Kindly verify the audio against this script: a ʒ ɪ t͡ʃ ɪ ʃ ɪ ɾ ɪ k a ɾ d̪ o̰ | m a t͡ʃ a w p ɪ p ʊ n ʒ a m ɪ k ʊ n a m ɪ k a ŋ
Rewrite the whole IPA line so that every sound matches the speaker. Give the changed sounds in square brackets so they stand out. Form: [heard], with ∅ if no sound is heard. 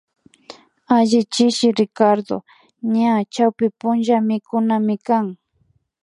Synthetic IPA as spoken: a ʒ ɪ t͡ʃ ɪ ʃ ɪ ɾ ɪ k a ɾ d̪ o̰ | [ɲ] a t͡ʃ a w p ɪ p ʊ n ʒ a m ɪ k ʊ n a m ɪ k a ŋ